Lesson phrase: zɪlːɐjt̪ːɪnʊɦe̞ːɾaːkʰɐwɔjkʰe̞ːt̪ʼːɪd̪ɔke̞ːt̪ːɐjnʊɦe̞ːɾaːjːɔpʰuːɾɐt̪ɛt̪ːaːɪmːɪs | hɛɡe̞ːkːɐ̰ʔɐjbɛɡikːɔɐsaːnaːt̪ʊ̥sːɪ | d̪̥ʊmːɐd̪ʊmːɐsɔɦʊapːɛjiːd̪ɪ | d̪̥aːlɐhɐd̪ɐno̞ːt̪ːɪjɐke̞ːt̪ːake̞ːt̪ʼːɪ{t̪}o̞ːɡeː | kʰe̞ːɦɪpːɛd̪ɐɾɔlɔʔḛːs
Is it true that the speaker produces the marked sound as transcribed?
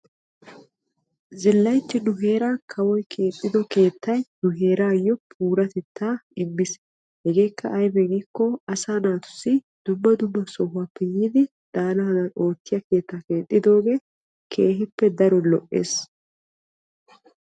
no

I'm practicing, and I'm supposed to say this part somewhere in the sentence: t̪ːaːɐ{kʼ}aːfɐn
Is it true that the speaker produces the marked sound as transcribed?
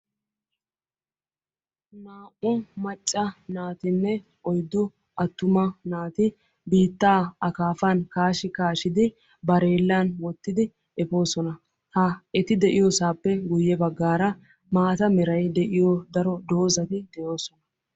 no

